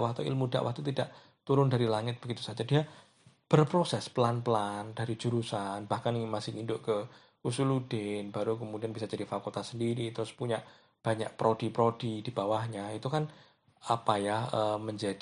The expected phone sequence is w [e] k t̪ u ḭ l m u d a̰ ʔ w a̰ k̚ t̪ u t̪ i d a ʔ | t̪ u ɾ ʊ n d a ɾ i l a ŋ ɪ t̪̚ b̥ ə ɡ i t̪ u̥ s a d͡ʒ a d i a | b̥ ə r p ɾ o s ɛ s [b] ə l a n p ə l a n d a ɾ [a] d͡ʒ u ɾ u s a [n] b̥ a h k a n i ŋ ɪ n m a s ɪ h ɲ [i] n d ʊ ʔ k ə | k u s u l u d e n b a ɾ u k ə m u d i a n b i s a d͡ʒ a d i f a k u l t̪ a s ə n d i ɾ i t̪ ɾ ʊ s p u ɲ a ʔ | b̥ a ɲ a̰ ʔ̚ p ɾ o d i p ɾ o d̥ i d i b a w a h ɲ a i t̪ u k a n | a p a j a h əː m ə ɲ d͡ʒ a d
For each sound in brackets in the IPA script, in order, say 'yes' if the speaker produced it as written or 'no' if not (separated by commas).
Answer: no, no, no, yes, yes